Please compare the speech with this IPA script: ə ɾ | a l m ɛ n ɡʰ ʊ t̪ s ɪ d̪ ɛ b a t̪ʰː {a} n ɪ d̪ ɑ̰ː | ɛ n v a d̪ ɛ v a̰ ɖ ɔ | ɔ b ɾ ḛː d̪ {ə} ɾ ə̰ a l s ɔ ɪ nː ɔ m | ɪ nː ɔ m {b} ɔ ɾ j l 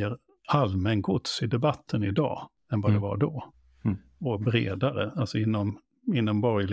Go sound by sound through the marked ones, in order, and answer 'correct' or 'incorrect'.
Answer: incorrect: ə, incorrect: a, correct

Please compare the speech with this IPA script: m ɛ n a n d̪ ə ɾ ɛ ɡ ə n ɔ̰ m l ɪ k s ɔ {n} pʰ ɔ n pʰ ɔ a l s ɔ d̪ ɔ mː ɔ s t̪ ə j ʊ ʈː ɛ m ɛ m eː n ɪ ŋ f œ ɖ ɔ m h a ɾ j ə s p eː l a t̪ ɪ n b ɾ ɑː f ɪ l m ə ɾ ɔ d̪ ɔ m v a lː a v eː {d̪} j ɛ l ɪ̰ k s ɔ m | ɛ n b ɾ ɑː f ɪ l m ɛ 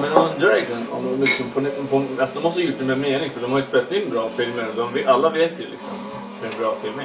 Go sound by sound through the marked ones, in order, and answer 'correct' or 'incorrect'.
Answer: incorrect: m, incorrect: t̪

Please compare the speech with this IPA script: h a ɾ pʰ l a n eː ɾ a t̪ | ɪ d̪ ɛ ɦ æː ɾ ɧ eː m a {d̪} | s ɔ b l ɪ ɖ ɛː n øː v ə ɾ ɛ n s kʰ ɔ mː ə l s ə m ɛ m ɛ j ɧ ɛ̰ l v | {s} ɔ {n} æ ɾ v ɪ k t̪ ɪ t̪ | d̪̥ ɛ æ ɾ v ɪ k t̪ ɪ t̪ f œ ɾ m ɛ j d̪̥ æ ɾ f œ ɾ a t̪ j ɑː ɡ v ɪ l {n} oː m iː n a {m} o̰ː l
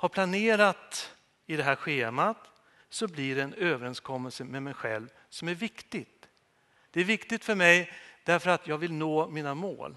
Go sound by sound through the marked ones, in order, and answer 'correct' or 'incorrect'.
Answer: incorrect: t̪, correct, incorrect: m, correct, correct

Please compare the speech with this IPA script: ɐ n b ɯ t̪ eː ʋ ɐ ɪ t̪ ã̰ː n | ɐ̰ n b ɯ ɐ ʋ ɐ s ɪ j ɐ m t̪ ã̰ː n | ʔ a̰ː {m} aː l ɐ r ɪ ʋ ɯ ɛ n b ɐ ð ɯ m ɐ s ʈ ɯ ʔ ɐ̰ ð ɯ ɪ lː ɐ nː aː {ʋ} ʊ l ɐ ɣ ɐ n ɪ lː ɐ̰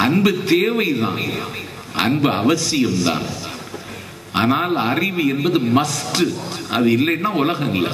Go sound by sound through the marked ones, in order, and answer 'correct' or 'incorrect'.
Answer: incorrect: n, incorrect: none

